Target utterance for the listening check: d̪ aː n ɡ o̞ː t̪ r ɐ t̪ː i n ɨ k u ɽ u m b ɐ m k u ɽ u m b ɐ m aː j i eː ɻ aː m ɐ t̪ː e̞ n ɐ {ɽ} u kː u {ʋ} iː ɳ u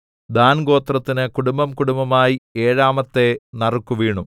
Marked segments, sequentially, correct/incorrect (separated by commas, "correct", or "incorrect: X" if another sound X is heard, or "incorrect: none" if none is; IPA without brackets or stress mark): incorrect: r, correct